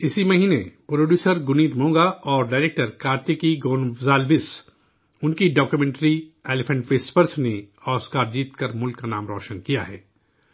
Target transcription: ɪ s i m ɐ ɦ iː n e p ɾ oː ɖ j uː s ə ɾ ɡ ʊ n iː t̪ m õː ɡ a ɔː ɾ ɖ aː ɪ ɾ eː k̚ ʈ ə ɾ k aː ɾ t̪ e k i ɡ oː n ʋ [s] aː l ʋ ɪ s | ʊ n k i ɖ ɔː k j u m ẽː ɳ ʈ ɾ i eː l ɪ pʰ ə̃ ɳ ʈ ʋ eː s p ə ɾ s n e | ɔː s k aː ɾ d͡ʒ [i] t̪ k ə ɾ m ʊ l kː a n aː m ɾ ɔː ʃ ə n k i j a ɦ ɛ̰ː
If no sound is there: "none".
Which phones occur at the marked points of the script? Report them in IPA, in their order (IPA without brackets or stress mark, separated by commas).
z, iː